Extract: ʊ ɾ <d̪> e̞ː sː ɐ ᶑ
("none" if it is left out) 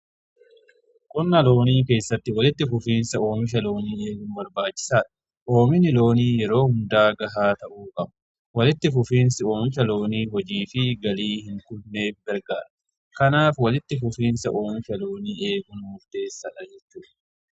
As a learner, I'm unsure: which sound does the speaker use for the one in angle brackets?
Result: t̪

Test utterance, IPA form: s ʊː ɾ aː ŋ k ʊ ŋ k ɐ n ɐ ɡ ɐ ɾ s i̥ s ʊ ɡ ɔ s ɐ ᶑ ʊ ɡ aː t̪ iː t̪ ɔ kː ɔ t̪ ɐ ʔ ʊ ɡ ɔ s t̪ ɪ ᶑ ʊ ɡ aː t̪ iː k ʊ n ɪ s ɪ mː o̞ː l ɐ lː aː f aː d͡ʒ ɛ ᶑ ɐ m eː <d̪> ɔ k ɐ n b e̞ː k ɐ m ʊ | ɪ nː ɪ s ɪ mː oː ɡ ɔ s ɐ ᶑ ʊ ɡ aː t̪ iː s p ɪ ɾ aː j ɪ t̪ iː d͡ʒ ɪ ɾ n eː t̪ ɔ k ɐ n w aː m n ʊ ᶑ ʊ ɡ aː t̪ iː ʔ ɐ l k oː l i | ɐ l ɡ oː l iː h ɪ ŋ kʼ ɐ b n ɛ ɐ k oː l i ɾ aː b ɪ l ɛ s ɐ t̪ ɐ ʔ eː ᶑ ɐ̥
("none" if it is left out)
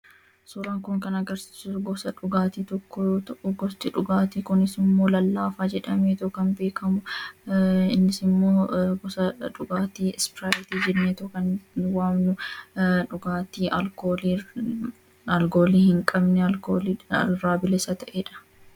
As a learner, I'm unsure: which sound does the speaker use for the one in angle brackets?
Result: t̪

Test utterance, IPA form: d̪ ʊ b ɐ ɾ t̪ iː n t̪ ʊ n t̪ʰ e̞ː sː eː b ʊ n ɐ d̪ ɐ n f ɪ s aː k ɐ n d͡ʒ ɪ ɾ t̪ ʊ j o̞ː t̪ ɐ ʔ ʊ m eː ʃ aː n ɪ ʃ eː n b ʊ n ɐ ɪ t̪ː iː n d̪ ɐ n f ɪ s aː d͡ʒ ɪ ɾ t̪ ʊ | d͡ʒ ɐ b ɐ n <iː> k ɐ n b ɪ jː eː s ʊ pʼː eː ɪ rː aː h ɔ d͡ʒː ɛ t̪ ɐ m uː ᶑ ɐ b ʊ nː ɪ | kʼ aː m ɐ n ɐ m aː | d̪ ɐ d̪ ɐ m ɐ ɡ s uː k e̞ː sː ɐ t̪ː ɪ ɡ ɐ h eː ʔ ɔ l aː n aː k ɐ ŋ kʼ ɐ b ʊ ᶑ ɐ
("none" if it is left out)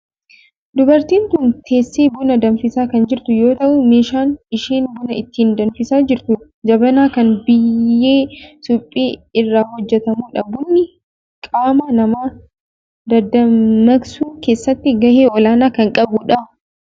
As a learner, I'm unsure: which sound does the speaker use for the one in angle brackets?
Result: aː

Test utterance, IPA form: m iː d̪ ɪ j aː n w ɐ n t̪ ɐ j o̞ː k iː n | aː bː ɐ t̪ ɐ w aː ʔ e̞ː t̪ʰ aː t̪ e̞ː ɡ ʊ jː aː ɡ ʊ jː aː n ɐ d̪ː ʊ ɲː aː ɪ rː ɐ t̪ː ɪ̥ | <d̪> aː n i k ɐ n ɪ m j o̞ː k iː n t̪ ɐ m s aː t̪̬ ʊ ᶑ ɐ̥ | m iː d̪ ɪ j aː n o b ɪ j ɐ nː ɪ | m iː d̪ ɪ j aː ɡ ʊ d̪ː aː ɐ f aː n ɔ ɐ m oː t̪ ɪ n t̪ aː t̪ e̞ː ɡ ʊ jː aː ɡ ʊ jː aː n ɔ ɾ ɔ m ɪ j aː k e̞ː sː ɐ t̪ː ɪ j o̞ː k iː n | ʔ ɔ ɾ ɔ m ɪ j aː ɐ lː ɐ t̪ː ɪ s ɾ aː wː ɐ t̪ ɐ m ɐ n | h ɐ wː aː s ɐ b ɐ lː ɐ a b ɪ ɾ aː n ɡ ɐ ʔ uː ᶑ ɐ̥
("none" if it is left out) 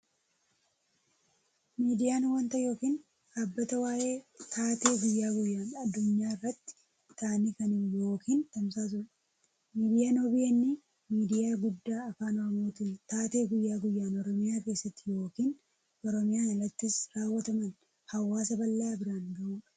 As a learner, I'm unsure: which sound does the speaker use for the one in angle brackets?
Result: t̪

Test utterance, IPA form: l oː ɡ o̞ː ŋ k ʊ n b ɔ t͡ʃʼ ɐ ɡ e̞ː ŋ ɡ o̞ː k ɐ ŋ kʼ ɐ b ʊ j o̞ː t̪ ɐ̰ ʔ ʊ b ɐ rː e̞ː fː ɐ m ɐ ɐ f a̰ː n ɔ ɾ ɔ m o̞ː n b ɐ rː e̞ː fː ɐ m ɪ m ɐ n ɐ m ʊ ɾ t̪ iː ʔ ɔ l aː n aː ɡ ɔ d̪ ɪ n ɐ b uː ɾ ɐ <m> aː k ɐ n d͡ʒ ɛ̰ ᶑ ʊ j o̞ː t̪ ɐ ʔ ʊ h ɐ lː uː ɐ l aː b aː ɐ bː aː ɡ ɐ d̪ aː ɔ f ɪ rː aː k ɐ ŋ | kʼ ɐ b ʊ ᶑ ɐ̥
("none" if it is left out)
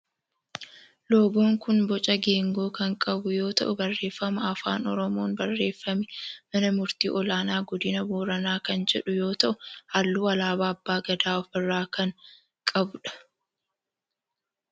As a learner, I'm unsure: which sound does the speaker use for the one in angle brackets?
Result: n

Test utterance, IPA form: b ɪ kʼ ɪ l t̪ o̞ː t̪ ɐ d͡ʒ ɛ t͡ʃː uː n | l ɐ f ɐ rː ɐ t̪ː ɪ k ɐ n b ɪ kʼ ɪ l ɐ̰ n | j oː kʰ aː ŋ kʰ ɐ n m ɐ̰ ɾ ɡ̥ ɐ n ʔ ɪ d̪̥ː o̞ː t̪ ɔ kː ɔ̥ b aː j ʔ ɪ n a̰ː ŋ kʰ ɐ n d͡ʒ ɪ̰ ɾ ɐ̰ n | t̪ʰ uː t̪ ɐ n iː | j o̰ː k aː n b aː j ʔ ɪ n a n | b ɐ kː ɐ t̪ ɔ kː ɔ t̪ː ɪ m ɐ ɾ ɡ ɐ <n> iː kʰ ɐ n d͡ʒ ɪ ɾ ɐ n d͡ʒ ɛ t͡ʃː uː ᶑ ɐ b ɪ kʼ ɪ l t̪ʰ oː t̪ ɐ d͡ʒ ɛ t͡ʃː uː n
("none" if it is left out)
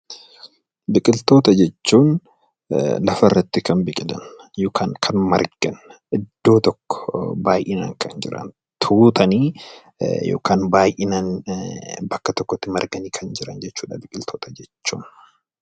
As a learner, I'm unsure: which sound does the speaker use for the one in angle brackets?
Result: n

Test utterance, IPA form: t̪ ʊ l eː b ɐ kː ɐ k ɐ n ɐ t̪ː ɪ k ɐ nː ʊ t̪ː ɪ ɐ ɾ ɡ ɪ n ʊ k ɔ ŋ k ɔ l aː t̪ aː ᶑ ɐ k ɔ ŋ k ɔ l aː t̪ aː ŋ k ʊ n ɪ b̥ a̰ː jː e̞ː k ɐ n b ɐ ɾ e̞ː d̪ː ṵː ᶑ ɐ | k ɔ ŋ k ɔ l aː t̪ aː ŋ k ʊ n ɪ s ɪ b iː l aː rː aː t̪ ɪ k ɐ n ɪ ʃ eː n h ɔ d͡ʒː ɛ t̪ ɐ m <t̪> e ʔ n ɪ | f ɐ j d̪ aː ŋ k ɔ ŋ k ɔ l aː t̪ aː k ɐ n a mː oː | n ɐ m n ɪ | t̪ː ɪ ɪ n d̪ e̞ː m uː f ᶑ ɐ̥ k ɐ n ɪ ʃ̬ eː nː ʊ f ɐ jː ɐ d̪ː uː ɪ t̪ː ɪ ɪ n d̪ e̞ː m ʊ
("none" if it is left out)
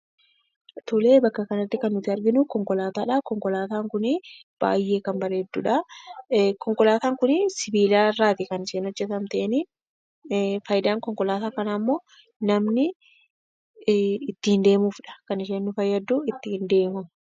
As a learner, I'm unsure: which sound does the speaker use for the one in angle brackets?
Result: t̪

